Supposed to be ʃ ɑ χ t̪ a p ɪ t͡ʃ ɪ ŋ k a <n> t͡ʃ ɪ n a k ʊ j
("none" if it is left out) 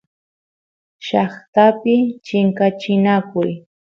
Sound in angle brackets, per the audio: none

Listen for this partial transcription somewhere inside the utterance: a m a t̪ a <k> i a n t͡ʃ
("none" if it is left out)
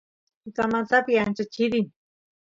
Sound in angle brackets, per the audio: p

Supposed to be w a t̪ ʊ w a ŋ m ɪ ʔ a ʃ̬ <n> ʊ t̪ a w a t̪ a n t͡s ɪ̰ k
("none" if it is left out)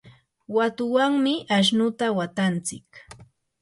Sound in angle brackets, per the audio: n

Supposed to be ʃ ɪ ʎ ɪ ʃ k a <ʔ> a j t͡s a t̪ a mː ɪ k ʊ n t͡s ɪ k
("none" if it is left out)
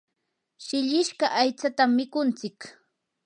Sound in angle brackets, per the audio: ʔ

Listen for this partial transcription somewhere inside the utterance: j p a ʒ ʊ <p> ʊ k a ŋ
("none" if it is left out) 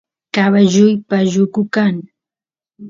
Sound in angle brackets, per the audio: k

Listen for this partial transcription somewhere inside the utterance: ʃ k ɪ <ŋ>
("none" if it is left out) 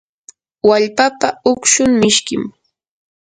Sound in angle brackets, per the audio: m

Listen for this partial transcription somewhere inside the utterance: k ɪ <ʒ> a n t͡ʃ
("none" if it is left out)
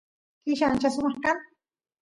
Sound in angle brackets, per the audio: ʃ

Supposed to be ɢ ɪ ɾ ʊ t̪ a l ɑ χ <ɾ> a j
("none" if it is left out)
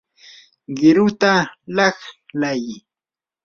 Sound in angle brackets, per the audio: l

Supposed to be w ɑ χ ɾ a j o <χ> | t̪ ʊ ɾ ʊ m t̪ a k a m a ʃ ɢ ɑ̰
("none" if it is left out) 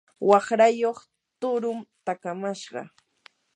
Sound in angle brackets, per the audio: χ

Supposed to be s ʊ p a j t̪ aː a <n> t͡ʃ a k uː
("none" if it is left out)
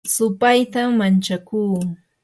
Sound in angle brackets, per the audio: n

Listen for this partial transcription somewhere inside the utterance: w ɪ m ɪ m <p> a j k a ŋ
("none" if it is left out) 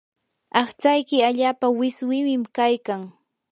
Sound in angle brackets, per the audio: k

